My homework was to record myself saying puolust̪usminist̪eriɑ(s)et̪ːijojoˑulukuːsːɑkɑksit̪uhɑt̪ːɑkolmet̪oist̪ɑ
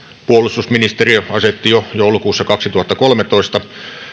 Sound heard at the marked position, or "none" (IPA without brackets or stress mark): s